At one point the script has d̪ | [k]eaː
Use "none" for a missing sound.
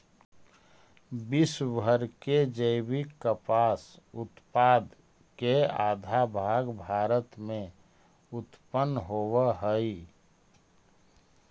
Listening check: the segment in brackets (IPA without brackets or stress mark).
k